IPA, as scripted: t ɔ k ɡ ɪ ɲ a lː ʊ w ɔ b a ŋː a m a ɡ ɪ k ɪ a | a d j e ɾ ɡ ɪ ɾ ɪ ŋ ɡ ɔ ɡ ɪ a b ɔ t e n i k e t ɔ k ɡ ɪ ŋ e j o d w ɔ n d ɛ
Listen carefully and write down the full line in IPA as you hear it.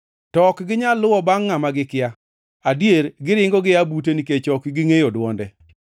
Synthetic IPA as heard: t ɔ k ɡ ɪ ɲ a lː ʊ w ɔ b a ŋː a m a ɡ ɪ k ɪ a | a d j e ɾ ɡ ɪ ɾ ɪ ŋ ɡ ɔ ɡ ɪ a b u t e n i k e t͡ʃ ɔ k ɡ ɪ ŋ e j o d w ɔ n d ɛ